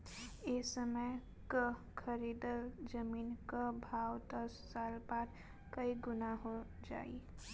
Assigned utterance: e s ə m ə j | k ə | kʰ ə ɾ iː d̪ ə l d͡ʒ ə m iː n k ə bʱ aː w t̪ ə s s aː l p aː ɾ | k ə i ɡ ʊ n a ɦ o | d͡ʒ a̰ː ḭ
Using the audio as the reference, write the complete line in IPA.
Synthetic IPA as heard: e s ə m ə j | k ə | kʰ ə ɾ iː d̪ ə l d͡ʒ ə m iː n k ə bʱ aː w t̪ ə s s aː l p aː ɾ | k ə i ɡ ʊ n a ɦ o | d͡ʒ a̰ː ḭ